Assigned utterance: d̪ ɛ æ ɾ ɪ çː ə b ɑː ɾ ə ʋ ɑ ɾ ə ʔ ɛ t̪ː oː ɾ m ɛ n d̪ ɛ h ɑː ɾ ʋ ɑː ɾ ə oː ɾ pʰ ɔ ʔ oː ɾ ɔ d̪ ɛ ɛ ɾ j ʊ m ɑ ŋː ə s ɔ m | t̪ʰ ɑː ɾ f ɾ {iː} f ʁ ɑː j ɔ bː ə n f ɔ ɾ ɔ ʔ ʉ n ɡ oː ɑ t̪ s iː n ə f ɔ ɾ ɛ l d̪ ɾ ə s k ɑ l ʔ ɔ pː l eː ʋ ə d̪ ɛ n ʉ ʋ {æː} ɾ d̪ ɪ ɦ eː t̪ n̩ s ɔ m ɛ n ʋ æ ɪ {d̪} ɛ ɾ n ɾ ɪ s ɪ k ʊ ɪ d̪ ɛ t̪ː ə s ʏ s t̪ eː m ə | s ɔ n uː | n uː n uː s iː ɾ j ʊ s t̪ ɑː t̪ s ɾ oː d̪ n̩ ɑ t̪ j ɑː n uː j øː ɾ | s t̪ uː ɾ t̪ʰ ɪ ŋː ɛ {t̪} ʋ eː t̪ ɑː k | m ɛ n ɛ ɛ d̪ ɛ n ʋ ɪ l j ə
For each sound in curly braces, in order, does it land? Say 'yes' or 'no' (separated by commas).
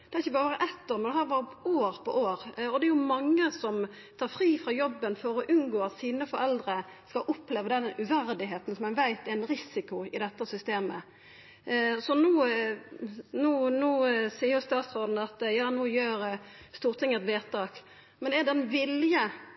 yes, no, no, yes